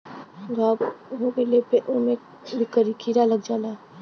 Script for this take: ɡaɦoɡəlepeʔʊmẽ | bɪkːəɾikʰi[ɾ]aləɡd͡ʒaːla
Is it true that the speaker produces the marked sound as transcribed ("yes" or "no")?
yes